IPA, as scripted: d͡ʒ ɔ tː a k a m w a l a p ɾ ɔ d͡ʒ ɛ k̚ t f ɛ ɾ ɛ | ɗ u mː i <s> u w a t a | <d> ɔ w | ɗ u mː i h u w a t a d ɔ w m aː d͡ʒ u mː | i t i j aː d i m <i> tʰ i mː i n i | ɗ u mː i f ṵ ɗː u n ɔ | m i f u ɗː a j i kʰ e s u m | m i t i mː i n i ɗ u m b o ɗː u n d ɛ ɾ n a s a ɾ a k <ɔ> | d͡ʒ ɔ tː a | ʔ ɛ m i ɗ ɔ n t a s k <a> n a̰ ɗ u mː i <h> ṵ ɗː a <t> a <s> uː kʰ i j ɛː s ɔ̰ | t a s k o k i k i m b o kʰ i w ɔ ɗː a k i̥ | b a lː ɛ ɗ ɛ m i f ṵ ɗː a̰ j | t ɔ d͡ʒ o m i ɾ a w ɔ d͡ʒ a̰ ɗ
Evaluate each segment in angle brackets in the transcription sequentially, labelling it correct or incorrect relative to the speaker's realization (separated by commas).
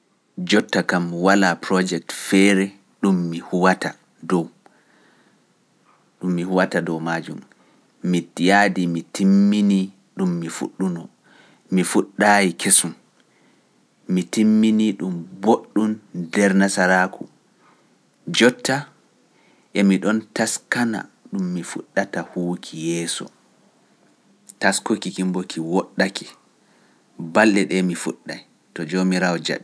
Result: incorrect, correct, correct, incorrect, correct, incorrect, correct, incorrect